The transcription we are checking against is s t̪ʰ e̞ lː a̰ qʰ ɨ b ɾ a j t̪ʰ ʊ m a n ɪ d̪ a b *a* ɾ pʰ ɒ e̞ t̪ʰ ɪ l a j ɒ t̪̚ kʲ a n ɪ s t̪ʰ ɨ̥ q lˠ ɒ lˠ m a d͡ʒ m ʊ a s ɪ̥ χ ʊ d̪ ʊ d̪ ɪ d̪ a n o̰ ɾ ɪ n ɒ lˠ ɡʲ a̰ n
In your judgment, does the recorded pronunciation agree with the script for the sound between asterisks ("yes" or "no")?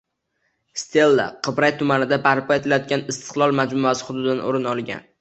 yes